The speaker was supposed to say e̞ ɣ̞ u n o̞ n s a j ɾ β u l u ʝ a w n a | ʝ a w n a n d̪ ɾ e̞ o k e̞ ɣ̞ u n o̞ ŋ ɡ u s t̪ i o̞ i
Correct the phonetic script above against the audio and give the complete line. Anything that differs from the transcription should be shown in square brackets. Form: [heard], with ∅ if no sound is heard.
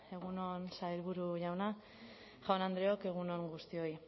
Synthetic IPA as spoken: e̞ ɣ̞ u n o̞ n s a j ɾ β u [ɾ] u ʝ a w n a | ʝ a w n a n d̪ ɾ e̞ o k e̞ ɣ̞ u n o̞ ŋ ɡ u s t̪ i o̞ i